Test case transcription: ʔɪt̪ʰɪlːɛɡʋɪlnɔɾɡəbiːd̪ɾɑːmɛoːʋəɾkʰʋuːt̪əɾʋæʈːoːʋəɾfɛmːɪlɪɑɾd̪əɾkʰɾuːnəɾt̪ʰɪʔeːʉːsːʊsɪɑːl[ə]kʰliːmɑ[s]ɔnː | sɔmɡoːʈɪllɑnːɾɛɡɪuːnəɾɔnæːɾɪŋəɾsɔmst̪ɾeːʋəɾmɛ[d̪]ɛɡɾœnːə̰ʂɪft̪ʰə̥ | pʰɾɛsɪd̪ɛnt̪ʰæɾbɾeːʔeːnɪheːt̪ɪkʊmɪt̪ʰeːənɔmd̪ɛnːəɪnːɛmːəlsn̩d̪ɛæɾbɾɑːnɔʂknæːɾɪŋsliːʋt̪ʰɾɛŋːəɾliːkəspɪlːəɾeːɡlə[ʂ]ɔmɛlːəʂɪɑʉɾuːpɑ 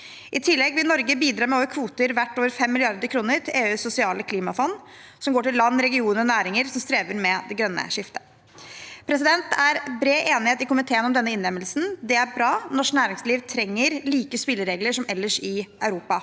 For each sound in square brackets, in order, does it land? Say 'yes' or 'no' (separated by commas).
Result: yes, no, yes, yes